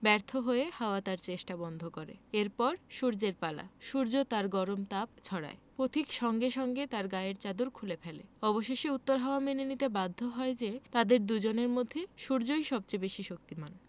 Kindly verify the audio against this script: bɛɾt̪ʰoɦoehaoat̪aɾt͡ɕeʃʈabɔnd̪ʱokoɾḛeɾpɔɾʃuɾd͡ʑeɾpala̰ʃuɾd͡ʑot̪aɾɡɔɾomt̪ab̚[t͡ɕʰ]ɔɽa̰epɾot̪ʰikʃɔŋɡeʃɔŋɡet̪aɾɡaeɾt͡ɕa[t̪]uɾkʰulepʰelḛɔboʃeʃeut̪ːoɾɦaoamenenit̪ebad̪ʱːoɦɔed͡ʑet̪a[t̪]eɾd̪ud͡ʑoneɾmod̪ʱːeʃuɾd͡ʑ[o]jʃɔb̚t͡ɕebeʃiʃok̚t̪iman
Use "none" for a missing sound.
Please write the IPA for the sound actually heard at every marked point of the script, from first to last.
t͡ɕʰ, d̪, d̪, o

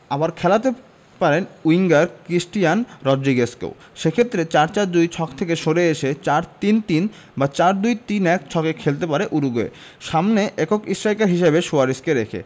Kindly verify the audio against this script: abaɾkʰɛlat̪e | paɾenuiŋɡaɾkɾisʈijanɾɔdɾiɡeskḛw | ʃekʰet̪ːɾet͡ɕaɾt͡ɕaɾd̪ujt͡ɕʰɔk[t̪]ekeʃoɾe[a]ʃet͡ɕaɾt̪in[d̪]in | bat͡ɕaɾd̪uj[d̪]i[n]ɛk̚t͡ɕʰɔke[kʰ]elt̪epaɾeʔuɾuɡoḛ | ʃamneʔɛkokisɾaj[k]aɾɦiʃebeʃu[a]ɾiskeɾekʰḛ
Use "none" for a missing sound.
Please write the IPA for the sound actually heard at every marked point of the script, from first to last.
t̪ʰ, e, t̪, t̪, n, kʰ, k, a

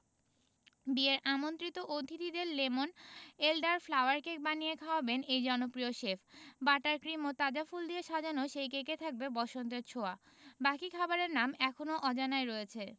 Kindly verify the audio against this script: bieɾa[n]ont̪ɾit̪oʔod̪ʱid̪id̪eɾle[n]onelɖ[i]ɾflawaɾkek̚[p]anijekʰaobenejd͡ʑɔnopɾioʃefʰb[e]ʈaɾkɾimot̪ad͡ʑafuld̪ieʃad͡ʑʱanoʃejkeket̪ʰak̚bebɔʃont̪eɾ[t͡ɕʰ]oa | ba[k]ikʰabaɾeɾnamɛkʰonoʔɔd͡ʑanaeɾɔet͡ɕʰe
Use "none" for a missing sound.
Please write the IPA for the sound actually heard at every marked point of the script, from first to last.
m, m, a, b, a, t͡ɕʰ, k

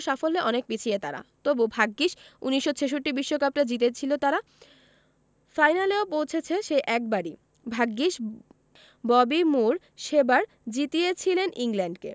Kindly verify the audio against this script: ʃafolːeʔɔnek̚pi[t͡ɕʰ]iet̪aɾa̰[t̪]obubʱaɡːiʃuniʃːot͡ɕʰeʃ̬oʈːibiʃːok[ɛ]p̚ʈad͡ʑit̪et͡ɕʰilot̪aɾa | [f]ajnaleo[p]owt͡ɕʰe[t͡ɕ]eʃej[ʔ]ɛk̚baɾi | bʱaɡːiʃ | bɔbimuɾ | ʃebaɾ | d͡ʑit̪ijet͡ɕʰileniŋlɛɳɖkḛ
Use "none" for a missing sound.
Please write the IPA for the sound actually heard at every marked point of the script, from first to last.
t͡ɕʰ, t̪, a, f, p, t͡ɕʰ, ʔ

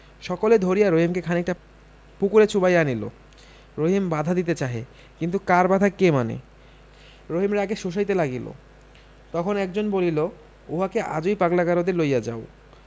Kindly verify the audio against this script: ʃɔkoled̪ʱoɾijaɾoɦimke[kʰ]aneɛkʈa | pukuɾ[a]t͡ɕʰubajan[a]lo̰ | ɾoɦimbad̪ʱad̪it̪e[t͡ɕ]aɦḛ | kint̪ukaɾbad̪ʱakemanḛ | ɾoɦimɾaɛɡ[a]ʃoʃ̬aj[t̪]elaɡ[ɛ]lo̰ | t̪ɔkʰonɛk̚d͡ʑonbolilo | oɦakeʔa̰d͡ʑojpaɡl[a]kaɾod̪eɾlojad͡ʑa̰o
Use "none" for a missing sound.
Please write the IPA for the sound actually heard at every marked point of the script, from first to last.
kʰ, e, i, t͡ɕ, e, t̪, i, a

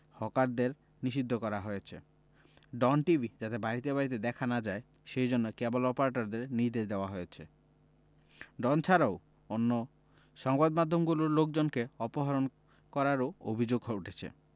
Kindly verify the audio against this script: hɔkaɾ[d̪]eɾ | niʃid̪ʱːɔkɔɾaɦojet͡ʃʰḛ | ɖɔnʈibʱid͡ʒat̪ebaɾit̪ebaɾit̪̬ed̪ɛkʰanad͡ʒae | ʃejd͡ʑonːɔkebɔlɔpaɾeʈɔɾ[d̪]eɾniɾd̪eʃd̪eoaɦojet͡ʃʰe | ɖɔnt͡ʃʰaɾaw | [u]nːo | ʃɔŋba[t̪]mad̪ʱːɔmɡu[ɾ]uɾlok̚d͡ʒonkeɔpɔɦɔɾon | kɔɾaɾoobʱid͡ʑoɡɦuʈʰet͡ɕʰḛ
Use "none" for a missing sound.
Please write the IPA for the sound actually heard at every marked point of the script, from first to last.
d̪, d̪, o, d̪, l

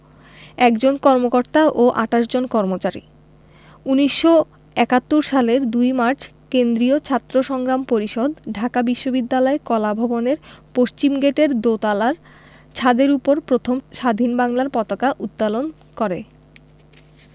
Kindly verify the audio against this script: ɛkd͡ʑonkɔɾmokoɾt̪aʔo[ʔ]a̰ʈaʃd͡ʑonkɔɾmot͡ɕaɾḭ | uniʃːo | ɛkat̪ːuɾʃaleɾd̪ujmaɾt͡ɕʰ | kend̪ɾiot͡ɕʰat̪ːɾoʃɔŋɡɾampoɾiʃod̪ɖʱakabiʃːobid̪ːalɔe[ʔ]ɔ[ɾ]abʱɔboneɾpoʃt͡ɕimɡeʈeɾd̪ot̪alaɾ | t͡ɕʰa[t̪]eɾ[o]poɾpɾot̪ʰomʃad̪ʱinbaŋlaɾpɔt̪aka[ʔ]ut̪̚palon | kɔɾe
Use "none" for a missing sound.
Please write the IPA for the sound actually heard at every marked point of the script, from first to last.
ʔ, k, l, d̪, u, ʔ

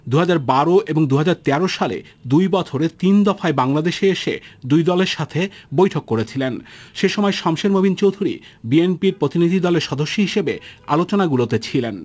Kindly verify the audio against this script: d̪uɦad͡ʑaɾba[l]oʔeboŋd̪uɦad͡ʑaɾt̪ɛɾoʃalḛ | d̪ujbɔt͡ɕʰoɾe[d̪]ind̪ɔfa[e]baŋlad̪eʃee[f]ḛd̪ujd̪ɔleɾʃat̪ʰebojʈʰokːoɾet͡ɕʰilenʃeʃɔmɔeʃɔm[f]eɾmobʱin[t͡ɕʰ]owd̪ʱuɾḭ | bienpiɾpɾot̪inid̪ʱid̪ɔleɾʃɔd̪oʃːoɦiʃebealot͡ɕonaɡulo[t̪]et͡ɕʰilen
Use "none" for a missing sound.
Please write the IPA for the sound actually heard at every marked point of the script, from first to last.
ɾ, t̪, e, ʃ, ʃ, t͡ɕ, t̪

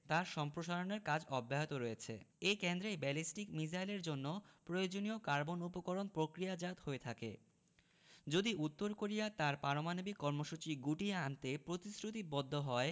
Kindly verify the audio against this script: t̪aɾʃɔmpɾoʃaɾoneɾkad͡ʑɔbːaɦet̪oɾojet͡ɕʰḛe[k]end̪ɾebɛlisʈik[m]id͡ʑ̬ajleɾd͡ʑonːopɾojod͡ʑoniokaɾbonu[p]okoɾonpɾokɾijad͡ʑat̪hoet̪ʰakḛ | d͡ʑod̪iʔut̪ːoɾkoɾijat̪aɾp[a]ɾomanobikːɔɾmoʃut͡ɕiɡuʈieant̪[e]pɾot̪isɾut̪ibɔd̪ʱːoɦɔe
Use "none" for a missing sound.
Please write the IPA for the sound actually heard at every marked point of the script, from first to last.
k, m, p, a, e

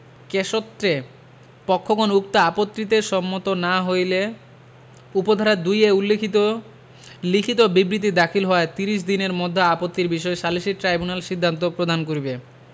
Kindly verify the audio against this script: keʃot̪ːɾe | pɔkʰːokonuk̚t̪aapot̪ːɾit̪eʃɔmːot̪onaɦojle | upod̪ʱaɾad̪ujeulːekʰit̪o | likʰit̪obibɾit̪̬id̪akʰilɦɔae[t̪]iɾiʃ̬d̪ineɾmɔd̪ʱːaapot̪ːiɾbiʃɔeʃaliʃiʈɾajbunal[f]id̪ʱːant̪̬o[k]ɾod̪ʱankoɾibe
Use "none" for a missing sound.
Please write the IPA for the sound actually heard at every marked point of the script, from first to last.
t̪, ʃ, p

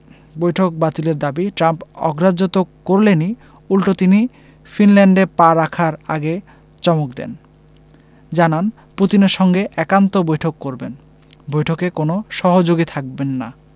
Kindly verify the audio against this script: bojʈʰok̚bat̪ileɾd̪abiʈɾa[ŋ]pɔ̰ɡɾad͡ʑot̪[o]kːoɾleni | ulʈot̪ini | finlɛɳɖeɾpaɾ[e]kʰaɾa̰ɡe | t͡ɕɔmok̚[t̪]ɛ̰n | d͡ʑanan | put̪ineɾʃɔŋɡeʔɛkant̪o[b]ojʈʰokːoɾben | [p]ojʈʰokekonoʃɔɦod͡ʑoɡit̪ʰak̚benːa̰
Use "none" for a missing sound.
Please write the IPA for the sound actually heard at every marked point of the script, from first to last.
m, o, a, d̪, b, b

